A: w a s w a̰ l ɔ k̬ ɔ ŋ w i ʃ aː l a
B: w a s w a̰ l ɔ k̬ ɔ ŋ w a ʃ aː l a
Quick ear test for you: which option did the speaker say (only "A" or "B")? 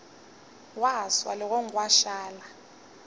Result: B